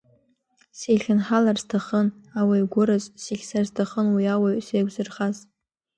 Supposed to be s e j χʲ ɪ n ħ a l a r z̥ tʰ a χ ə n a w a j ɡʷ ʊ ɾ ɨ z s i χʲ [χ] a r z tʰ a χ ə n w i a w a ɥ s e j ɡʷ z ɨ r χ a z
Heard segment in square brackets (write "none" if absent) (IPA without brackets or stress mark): s